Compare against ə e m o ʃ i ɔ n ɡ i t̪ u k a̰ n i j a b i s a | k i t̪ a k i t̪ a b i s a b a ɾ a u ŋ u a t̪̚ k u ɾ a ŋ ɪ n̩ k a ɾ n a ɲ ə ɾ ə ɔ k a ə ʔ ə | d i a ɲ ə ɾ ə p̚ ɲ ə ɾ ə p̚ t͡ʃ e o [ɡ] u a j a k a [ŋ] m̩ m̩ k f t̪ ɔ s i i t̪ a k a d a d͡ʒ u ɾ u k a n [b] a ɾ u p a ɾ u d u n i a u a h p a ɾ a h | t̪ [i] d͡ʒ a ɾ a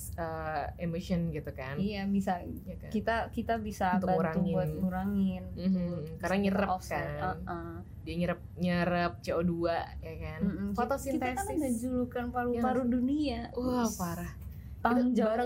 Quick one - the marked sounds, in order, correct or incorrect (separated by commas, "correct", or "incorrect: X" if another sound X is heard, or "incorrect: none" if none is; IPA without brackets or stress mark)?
incorrect: d, incorrect: n, incorrect: p, incorrect: a